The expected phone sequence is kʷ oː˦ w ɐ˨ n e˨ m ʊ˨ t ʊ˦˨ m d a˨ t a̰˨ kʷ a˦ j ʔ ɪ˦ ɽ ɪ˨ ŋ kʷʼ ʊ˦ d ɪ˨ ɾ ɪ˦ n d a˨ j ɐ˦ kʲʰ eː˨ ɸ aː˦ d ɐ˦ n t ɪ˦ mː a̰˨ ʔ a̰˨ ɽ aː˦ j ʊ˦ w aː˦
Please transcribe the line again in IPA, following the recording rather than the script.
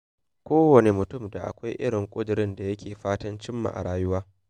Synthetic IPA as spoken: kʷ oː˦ w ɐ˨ n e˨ m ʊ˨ t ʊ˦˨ m d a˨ ʔ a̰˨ kʷ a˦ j ʔ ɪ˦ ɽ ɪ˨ ŋ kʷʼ ʊ˦ d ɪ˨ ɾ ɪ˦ n d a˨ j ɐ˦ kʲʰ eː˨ ɸ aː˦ t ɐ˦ n t͡ʃ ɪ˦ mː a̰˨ ʔ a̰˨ ɽ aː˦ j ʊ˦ w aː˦